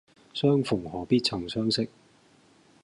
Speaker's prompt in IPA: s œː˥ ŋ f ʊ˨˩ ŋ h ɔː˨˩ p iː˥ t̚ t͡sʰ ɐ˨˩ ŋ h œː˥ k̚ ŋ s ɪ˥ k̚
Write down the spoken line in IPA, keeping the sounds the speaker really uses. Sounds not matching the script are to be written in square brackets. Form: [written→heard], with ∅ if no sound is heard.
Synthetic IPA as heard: s œː˥ ŋ f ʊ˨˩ ŋ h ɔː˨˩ p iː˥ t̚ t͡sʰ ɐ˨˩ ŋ [h→s] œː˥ [k̚→∅] ŋ s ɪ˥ k̚